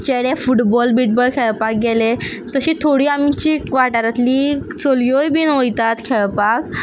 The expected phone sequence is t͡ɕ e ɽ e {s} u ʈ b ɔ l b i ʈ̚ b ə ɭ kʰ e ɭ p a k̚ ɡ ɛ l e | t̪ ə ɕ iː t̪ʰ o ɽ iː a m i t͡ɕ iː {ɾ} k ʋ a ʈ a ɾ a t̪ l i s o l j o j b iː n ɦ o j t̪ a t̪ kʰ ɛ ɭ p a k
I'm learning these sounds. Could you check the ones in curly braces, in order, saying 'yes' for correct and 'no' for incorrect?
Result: no, no

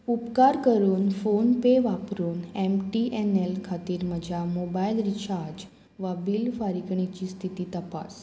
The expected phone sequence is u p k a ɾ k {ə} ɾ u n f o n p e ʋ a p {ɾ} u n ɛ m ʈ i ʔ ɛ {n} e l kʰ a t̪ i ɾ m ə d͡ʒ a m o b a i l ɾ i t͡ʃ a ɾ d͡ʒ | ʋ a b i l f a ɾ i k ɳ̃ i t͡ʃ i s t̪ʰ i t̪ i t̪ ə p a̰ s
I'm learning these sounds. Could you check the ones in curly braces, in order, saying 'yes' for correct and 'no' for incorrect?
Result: yes, yes, yes

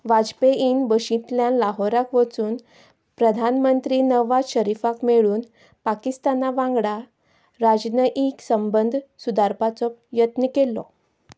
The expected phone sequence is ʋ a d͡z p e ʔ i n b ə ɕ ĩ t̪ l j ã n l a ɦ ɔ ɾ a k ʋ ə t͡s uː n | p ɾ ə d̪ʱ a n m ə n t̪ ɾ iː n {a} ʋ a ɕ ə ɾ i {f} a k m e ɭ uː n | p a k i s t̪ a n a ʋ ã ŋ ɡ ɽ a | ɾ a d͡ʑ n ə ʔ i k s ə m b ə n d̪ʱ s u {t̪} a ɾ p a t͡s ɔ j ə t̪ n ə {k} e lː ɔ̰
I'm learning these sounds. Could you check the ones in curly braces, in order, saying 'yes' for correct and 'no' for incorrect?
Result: no, yes, no, yes

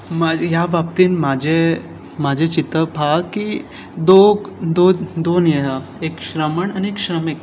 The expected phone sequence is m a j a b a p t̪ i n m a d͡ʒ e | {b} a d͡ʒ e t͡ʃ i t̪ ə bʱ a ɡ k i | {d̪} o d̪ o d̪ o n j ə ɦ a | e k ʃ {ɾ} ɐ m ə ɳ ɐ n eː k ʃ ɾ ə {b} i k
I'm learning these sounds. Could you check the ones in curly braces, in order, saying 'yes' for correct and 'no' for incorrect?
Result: no, yes, yes, no

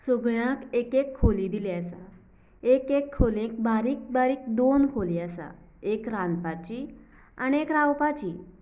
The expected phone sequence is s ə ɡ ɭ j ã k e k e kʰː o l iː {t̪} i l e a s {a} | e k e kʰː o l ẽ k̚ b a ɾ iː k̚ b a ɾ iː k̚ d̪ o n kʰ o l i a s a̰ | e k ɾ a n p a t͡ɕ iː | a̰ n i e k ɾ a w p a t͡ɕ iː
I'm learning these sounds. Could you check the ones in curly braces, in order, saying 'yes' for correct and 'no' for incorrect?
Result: no, yes

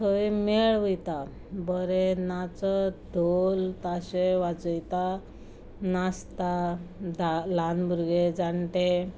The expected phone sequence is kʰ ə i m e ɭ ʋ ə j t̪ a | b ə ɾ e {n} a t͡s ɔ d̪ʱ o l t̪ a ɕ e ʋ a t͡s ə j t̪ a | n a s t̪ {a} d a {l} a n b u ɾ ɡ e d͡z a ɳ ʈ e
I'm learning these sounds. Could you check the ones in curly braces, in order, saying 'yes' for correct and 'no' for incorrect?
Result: yes, yes, yes

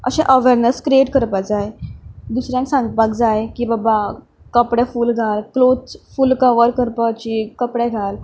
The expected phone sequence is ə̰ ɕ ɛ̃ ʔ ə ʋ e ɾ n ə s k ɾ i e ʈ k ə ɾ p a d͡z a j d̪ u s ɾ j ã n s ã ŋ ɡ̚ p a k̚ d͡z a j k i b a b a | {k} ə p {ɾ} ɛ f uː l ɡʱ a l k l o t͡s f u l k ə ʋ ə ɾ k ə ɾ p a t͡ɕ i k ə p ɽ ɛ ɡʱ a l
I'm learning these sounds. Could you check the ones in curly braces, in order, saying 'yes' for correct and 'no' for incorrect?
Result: yes, no

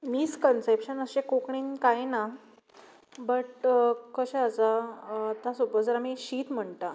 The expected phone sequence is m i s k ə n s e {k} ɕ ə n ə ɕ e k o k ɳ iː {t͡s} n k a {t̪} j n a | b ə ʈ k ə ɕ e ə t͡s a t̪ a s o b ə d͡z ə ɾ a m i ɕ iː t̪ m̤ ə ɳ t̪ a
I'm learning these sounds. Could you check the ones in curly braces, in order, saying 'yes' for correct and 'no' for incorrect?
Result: no, no, no

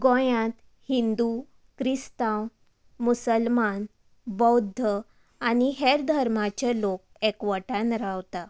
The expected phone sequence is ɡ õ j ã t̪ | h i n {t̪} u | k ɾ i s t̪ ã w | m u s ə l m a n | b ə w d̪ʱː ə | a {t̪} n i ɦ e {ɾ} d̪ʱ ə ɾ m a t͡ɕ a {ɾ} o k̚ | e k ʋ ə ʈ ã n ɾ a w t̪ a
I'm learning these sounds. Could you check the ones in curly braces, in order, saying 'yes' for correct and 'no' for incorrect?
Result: no, no, yes, no

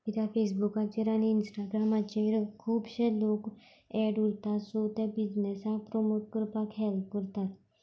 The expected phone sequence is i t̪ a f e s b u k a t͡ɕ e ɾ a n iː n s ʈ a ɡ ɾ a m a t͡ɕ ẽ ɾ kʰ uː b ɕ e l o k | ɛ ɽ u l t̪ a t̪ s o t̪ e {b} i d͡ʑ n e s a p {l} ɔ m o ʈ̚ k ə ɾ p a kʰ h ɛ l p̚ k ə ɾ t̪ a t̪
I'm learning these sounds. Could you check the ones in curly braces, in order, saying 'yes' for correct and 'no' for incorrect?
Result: yes, no

